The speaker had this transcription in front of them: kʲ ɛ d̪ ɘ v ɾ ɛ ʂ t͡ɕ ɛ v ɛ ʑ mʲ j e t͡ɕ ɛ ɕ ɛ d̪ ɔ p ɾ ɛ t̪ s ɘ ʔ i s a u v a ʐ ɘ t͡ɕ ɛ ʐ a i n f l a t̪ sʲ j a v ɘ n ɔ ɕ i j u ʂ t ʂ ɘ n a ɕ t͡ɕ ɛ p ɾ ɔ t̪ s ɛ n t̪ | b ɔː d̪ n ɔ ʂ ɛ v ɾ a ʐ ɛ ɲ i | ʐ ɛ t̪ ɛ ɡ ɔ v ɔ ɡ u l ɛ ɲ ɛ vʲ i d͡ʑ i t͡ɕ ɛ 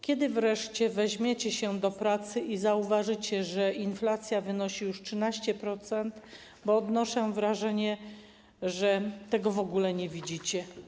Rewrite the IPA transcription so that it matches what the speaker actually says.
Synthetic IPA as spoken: kʲ ɛ d̪ ɘ v ɾ ɛ ʂ t͡ɕ ɛ v ɛ ʑ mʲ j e t͡ɕ ɛ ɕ ɛ d̪ ɔ p ɾ a t̪ s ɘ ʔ i z a u v a ʐ ɘ t͡ɕ ɛ ʐ ɛ i n f l a t̪ sʲ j a v ɘ n ɔ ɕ i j u ʂ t ʂ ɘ n a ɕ t͡ɕ ɛ p ɾ ɔ t̪ s ɛ n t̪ | b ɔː d̪ n ɔ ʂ ɛ v ɾ a ʐ ɛ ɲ ɛ | ʐ ɛ t̪ ɛ ɡ ɔ v ɔ ɡ u l ɛ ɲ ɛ vʲ i d͡ʑ i t͡ɕ ɛ

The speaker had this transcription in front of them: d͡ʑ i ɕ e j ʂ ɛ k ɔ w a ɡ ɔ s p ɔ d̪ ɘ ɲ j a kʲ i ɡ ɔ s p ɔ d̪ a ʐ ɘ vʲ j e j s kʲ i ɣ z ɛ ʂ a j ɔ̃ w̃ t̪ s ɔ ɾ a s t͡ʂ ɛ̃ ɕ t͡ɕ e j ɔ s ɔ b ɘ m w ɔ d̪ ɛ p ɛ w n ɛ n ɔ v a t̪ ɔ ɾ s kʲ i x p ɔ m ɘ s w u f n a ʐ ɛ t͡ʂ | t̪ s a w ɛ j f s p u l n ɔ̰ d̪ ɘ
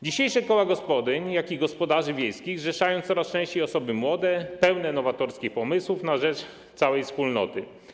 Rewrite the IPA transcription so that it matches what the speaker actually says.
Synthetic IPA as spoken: d͡ʑ i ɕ e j ʂ ɛ k ɔ w a ɡ ɔ s p ɔ d̪ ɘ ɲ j a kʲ i ɡ ɔ s p ɔ d̪ a ʐ ɘ vʲ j e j s kʲ i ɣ ʐ ɛ ʂ a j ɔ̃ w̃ t̪ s ɔ ɾ a s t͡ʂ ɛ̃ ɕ t͡ɕ e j ɔ s ɔ b ɘ m w ɔ d̪ ɛ p ɛ w n ɛ n ɔ v a t̪ ɔ ɾ s kʲ i x p ɔ m ɘ s w u f n a ʐ ɛ t͡ʂ | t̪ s a w ɛ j f s p u l n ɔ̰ t̪ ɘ

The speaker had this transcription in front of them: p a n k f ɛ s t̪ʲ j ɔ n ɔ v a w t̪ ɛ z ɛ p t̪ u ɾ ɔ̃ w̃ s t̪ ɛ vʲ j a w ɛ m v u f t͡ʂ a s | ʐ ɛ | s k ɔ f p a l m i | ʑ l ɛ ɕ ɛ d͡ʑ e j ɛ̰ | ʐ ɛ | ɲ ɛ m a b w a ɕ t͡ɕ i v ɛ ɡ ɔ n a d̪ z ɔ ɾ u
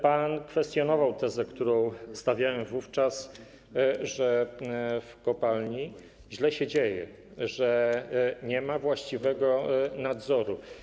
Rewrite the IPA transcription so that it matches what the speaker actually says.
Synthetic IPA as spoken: p a n k f ɛ s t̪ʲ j ɔ n ɔ v a w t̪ ɛ z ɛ k t̪ u ɾ ɔ̃ w̃ s t̪ a vʲ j a w ɛ m v u f t͡ʂ a s | ʐ ɛ | f k ɔ p a l ɲ i | ʑ l ɛ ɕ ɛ d͡ʑ e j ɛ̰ | ʐ ɛ | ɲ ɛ m a v w a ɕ t͡ɕ i v ɛ ɡ ɔ n a d̪ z ɔ ɾ u

